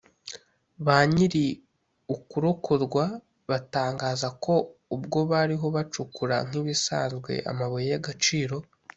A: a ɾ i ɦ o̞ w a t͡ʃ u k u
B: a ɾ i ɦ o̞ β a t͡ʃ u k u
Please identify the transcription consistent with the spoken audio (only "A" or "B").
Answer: B